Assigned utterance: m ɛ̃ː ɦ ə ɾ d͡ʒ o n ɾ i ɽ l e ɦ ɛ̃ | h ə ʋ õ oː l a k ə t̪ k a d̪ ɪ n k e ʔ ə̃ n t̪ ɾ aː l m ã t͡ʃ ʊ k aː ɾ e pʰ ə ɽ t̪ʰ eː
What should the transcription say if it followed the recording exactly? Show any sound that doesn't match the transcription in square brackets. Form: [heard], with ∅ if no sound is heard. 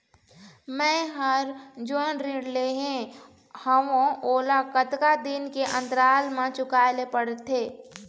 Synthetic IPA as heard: m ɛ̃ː ɦ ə ɾ d͡ʒ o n ɾ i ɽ l e ɦ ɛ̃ | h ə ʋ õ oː l a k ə t̪ k a d̪ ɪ n k e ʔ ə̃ n t̪ ɾ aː l m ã t͡ʃ ʊ k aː [l] e [p] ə ɽ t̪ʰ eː